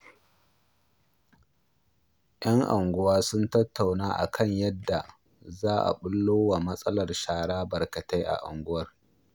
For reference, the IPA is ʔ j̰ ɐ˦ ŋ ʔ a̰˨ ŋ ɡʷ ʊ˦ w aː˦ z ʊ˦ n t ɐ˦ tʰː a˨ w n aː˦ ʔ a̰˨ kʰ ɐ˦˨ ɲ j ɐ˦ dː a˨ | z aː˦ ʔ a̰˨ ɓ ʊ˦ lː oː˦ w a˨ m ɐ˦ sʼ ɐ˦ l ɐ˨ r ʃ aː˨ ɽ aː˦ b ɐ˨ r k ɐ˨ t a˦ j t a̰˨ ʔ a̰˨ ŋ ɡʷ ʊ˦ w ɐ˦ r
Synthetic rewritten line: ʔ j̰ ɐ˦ ŋ ʔ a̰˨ ŋ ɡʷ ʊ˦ w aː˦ s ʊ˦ n t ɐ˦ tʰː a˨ w n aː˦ ʔ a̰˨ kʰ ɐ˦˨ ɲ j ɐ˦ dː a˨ | z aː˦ ʔ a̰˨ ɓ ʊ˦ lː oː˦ w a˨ m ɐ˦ sʼ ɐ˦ l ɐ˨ r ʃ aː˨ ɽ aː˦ b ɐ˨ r k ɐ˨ t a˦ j ʔ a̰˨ ʔ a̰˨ ŋ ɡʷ ʊ˦ w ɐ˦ r